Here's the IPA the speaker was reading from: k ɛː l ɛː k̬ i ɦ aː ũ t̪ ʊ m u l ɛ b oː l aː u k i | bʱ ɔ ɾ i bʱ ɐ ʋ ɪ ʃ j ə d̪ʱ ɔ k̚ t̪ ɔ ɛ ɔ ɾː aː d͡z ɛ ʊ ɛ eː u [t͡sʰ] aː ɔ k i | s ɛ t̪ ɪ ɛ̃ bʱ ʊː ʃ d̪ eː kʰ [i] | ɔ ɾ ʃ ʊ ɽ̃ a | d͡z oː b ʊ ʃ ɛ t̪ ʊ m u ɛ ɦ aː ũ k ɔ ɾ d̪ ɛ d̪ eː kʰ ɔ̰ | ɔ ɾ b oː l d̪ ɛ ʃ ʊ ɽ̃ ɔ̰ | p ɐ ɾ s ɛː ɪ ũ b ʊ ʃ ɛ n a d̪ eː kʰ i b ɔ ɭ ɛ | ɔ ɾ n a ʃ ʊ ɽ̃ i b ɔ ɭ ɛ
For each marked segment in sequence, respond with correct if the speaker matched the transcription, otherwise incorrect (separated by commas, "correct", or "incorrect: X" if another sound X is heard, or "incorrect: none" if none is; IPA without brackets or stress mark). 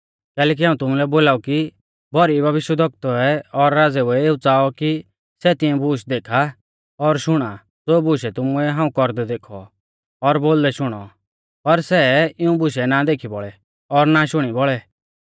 incorrect: t͡s, incorrect: a